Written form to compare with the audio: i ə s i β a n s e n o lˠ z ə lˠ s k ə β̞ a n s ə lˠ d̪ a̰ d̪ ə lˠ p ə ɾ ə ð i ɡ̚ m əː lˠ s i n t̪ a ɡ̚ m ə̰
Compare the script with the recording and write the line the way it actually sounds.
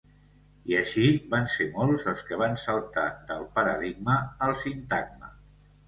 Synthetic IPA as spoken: i ə ʃ i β a n s e m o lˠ z ə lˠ s k ə β̞ a n s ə lˠ t̪ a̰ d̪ ə lˠ p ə ɾ ə ð i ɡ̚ m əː lˠ s i n t̪ a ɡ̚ m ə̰